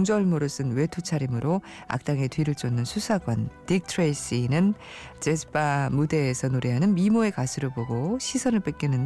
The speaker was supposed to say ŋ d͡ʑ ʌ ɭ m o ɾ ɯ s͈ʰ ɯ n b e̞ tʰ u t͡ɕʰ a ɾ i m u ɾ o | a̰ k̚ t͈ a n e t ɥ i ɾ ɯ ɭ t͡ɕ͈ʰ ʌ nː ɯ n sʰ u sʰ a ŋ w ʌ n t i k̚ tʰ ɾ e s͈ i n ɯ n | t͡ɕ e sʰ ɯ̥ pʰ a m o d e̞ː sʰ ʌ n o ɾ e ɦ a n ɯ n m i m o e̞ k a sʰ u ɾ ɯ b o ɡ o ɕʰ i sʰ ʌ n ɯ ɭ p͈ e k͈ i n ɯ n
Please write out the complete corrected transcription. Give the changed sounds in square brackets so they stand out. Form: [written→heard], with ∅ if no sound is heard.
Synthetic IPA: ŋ d͡ʑ ʌ ɭ m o ɾ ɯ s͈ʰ ɯ n [b→w] e̞ tʰ u t͡ɕʰ a ɾ i m [u→ɯ] ɾ o | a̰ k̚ t͈ a [n→ŋ] e t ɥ i ɾ ɯ ɭ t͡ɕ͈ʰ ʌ nː ɯ n sʰ u sʰ a [ŋ→ɡ] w ʌ n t i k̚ tʰ ɾ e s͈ i n ɯ n | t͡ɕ e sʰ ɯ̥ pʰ a m [o→u] d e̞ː sʰ ʌ n o ɾ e ɦ a n ɯ n m i m o e̞ k a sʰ [u→ɯ] ɾ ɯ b o ɡ o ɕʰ i sʰ ʌ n ɯ ɭ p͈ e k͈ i n ɯ n